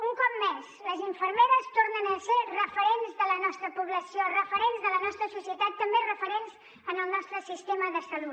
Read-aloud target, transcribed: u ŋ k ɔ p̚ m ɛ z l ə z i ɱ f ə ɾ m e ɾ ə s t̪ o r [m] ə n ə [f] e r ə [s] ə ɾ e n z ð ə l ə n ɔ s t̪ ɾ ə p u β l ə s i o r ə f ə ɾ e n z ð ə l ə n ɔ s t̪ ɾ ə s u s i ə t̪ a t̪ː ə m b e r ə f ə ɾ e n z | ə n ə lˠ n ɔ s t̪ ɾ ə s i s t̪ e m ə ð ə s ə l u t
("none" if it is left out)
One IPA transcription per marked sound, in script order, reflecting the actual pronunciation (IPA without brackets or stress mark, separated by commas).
n, s, f